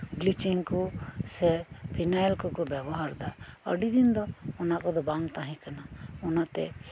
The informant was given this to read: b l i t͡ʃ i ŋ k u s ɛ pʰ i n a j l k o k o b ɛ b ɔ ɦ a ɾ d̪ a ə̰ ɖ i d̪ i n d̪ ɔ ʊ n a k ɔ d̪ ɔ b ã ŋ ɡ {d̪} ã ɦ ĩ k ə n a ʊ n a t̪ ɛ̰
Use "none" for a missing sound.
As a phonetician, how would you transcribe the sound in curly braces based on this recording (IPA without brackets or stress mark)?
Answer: t̪